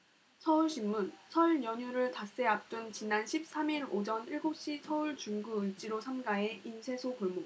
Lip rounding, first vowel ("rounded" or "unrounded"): unrounded